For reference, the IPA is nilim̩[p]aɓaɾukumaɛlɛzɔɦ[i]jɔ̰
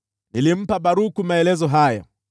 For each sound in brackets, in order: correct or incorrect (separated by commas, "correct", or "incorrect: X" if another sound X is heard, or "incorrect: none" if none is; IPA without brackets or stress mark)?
correct, incorrect: a